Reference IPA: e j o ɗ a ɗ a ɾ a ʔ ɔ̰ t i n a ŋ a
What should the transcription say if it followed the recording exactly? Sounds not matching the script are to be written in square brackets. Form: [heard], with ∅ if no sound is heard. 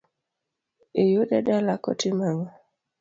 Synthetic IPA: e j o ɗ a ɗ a [l] a [k] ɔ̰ t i [m] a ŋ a